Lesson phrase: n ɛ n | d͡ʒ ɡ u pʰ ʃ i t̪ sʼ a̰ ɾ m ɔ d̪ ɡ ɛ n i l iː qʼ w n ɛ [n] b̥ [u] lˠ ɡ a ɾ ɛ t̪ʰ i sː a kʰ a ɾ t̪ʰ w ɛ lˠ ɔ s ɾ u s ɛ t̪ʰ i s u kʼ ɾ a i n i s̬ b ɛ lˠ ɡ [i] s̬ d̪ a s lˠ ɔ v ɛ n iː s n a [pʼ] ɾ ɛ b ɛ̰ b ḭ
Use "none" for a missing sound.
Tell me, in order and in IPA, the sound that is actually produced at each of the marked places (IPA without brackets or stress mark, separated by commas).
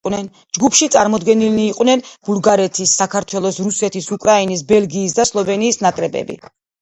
n, u, iː, kʼ